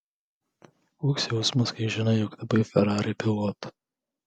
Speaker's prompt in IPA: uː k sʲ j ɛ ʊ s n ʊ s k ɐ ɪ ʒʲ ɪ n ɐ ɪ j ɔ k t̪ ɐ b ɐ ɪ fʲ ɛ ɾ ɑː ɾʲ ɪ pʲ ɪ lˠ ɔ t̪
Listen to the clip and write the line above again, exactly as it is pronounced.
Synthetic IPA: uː k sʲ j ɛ ʊ s m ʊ s k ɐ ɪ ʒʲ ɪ n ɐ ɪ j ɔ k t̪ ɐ b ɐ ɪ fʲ ɛ ɾ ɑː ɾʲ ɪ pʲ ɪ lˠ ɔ t̪